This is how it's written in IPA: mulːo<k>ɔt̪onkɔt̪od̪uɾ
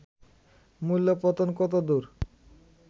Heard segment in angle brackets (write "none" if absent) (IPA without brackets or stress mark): p